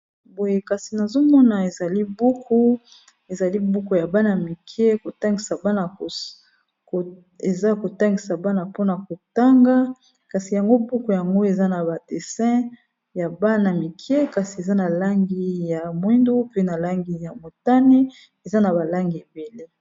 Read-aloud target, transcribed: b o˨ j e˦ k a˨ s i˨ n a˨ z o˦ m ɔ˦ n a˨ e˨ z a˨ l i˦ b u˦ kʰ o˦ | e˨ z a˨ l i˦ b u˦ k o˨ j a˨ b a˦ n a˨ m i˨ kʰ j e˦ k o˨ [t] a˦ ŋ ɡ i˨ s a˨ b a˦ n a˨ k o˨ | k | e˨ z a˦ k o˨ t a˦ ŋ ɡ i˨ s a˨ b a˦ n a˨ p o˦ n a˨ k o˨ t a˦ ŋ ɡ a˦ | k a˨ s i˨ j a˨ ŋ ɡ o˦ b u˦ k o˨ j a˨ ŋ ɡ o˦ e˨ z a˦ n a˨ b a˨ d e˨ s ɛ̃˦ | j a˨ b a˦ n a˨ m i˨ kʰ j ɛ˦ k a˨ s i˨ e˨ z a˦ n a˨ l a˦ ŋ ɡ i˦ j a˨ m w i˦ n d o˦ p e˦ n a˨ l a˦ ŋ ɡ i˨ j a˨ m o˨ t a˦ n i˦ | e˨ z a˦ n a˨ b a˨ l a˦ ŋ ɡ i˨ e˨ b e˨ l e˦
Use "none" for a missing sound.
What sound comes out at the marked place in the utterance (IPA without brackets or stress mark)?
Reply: t